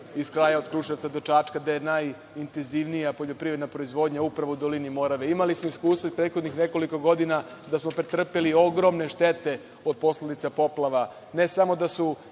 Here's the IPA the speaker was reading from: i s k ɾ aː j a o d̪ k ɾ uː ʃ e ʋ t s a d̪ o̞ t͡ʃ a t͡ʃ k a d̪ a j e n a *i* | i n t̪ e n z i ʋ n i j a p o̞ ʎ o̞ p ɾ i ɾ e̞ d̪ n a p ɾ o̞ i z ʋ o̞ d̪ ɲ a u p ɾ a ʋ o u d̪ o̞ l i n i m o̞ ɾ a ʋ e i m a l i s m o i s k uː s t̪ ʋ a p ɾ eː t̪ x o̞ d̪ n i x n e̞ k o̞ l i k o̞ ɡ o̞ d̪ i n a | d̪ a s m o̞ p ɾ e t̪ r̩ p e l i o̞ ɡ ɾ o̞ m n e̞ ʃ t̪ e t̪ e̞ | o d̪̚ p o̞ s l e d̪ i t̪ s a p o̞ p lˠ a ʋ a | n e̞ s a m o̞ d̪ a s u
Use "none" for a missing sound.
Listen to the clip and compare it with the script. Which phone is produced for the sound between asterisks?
j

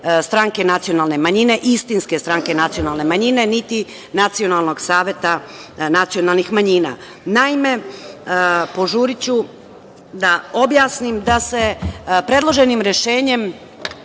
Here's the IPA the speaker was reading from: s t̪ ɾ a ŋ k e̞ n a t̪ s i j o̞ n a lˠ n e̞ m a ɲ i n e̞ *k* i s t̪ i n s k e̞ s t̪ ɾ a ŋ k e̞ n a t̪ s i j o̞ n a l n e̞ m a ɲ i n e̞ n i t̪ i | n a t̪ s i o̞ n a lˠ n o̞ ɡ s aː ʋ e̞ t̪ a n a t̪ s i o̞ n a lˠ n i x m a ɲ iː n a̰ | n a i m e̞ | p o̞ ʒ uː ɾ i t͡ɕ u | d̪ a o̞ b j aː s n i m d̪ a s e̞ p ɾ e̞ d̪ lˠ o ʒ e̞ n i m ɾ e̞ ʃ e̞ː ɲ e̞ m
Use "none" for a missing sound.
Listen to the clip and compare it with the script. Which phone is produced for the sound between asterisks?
ʔ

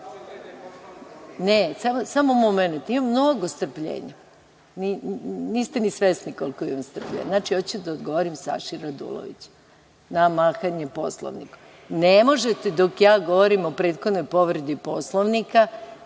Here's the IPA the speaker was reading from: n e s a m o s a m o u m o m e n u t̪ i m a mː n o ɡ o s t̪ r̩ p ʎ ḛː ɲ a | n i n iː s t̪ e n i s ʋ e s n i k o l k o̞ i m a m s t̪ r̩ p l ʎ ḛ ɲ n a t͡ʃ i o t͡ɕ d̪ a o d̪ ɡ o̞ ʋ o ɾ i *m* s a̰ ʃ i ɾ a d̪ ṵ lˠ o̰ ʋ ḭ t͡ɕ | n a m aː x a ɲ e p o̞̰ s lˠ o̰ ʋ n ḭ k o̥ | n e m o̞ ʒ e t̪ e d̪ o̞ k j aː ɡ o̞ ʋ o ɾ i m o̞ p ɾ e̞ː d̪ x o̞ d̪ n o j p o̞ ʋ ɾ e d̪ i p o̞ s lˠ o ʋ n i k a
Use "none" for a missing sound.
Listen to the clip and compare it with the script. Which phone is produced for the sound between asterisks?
m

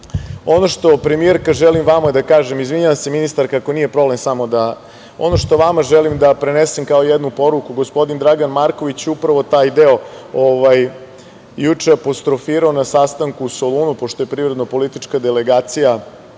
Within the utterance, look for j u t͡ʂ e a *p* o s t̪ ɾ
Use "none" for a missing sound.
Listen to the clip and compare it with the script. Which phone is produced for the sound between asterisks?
p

